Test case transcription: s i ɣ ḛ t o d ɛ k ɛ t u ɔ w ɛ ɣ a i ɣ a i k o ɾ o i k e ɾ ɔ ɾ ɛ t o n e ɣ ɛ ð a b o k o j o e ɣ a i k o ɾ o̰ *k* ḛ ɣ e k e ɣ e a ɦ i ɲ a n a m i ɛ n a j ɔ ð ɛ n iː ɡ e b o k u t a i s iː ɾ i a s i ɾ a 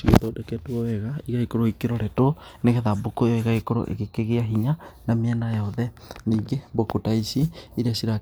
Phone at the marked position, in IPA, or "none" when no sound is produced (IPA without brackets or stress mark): ʔ